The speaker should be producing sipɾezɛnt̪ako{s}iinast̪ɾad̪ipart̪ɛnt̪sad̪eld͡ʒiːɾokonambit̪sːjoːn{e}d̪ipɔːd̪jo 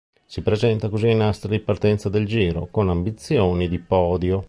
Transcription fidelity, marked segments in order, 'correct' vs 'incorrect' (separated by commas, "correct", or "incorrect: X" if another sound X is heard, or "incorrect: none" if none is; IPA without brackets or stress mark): incorrect: z, incorrect: i